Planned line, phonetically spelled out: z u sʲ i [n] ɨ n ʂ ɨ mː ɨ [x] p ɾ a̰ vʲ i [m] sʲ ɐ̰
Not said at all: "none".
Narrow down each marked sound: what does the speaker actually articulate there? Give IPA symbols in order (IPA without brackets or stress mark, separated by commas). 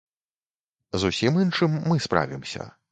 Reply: m, s, m